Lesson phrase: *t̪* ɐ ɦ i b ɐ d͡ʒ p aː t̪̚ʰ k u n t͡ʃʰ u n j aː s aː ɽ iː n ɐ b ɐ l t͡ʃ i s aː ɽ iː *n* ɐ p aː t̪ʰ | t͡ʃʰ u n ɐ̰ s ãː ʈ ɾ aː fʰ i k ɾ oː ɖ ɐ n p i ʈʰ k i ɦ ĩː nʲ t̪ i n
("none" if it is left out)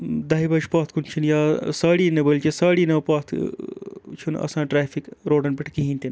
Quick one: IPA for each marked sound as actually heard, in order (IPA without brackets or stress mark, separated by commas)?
d̪, n